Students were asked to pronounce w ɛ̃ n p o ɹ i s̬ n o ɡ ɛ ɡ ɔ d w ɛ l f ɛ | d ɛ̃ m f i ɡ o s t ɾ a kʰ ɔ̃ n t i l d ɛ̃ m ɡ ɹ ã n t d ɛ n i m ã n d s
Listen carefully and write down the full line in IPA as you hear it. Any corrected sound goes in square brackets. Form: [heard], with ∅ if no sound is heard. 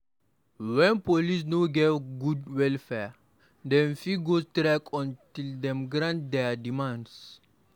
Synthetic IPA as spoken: w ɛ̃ n p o [l] i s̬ n o ɡ ɛ ɡ [u] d w ɛ l f ɛ | d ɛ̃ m f i ɡ o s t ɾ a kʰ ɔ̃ n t i l d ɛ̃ m ɡ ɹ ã n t d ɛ [d] i m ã n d s